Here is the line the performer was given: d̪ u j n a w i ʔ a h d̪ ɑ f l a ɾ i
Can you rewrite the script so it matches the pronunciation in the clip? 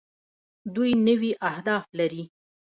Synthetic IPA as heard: d̪ u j n ə w i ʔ a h d̪ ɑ f l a ɾ i